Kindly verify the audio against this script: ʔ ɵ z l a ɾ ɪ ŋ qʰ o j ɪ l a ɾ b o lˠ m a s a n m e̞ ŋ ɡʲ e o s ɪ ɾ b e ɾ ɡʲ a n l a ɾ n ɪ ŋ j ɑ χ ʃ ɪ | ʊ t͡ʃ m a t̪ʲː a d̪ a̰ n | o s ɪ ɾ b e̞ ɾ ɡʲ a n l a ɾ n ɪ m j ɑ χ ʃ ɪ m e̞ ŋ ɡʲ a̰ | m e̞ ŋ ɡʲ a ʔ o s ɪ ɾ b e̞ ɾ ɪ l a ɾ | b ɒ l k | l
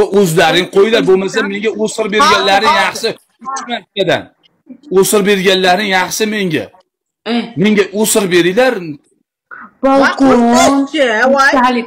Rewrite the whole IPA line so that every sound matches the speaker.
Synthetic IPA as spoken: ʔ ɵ z l a ɾ ɪ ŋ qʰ o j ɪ l a ɾ b o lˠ m a s a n m e̞ ŋ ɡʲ a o s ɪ ɾ b e ɾ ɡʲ a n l a ɾ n ɪ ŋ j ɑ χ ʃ ɪ | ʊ t͡ʃ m a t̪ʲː a d̪ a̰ n | o s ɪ ɾ b e̞ ɾ ɡʲ a n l a ɾ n ɪ ŋ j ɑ χ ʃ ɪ m e̞ ŋ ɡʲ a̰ | m e̞ ŋ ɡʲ a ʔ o s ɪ ɾ b e̞ ɾ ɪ l a ɾ | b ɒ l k | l